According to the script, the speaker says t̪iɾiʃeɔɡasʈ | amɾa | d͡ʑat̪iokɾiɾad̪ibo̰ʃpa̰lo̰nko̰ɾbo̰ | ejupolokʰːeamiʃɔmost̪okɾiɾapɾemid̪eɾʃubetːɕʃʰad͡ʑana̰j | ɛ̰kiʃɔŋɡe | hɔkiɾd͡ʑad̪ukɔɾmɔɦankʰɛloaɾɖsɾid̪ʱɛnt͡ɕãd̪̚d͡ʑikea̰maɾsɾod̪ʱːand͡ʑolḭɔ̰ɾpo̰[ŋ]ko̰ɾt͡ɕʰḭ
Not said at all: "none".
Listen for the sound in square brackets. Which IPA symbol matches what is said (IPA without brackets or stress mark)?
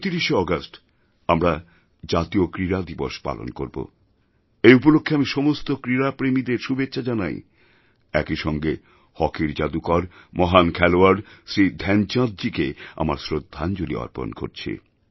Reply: n